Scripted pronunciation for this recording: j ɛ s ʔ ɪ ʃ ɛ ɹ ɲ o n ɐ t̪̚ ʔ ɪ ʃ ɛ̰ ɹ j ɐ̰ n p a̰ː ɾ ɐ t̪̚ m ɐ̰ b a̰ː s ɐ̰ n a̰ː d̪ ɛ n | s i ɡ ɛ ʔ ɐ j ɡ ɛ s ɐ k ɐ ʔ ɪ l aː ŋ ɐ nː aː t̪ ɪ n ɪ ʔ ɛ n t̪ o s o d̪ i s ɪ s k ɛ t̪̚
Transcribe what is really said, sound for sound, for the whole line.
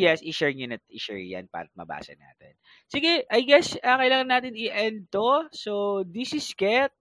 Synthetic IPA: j ɛ s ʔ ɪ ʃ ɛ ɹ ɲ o n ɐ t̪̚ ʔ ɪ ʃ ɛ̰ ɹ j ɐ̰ n p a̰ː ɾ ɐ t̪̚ m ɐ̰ b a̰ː s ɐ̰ n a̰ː t̪ ɛ n | s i ɡ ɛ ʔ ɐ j ɡ ɛ s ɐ k ɐ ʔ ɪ l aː ŋ ɐ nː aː t̪ ɪ n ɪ ʔ ɛ n t̪ o s o d̪ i s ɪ s k ɛ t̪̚